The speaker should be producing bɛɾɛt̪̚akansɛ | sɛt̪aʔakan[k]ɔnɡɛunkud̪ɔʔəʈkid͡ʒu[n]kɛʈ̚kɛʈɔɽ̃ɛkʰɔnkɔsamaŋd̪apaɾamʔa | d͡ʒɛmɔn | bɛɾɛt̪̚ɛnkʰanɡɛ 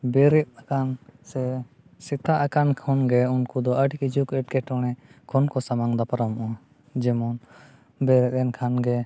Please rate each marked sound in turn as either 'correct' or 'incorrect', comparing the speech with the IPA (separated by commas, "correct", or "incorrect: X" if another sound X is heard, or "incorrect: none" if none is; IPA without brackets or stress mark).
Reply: incorrect: kʰ, incorrect: none